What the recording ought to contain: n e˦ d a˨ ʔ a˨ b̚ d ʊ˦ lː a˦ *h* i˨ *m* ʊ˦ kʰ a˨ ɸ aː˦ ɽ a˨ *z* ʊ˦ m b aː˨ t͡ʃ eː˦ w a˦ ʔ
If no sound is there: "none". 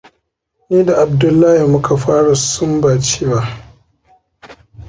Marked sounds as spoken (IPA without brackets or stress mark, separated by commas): h, m, s